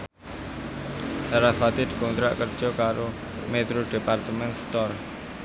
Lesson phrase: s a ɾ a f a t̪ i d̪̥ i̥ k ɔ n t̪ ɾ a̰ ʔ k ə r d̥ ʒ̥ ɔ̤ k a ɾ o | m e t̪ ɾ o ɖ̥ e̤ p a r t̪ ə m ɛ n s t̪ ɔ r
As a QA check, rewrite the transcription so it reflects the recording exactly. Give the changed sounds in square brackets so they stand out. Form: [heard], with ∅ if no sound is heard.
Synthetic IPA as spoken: s a ɾ a f a t̪ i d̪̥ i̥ k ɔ n t̪ ɾ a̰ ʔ k ə r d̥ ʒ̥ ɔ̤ k a ɾ o | m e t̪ ɾ o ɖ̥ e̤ p a r t̪ ə m ɛ n s t̪ ɔ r